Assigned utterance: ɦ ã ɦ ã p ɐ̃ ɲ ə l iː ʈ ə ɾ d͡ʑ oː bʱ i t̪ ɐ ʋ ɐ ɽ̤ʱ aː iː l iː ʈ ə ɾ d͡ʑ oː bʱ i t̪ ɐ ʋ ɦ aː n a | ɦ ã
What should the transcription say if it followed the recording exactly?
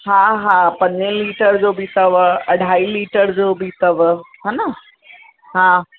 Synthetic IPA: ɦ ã ɦ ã p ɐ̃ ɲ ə l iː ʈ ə ɾ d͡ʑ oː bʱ i t̪ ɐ ʋ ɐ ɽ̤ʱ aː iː l iː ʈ ə ɾ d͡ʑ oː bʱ i t̪ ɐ ʋ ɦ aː n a | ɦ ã